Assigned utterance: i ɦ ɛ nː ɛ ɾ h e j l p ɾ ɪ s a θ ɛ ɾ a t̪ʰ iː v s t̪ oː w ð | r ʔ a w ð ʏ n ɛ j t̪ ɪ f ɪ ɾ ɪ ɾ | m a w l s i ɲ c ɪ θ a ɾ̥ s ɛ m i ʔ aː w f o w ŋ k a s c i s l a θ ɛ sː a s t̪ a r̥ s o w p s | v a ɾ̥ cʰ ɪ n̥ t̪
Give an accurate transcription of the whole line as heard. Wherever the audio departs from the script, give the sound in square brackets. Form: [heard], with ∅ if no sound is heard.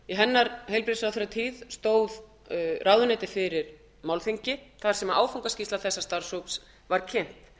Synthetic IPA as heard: i ɦ ɛ nː [a] ɾ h e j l p ɾ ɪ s a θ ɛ ɾ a t̪ʰ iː [ð] s t̪ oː w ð | r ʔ a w ð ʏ n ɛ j t̪ ɪ f ɪ ɾ ɪ ɾ | m a w l [θ] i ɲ c ɪ θ a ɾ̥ s ɛ m [a] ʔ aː w f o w ŋ k a s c i s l a θ ɛ sː a s t̪ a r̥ s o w p s | v a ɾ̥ cʰ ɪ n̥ t̪